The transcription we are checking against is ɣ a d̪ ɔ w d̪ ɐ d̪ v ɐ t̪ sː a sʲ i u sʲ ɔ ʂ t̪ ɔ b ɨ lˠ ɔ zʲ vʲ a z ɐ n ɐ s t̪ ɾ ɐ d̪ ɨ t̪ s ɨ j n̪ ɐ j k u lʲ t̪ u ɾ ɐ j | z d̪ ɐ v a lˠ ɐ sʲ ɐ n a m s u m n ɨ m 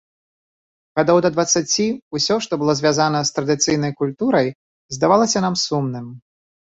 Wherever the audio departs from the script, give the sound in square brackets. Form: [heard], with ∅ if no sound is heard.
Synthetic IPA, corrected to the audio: ɣ a d̪ ɔ w d̪ ɐ d̪ v ɐ t̪ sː a [t͡sʲ] i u sʲ ɔ ʂ t̪ ɔ b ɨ lˠ ɔ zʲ vʲ a z [a] n ɐ s t̪ ɾ ɐ d̪ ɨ t̪ s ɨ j n̪ ɐ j k u lʲ t̪ u ɾ ɐ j | z d̪ [a] v a lˠ ɐ sʲ ɐ n a m s u m n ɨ m